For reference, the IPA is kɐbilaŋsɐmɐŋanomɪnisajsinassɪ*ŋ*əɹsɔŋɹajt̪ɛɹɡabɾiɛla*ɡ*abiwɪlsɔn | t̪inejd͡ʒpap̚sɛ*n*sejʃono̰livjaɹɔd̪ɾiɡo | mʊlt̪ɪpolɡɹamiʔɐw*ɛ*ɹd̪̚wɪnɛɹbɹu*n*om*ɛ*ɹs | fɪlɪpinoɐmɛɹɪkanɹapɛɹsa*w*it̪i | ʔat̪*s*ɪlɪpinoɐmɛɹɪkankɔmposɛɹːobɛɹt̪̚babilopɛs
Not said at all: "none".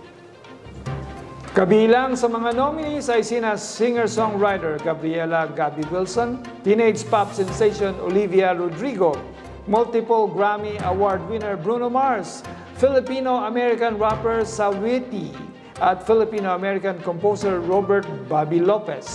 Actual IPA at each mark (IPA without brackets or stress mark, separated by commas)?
ŋ, ɡ, n, a, n, a, w, f